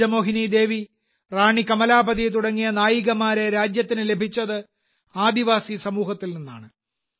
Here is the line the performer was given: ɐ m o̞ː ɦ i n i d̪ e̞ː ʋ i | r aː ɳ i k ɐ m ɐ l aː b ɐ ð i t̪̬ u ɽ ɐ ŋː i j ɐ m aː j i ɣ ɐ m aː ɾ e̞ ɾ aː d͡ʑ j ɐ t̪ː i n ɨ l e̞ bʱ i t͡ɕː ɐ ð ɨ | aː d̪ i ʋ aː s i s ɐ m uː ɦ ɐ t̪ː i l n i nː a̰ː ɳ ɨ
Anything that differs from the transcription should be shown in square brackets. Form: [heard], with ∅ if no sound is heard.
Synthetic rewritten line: ɐ m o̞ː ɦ i n i d̪ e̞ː ʋ i | r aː ɳ i k ɐ m ɐ l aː b ɐ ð i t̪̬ u ɽ ɐ ŋː i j ɐ [n] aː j i ɣ ɐ m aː ɾ e̞ ɾ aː d͡ʑ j ɐ t̪ː i n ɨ l e̞ bʱ i t͡ɕː ɐ ð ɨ | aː d̪ i ʋ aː s i s ɐ m uː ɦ ɐ t̪ː i l n i nː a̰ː ɳ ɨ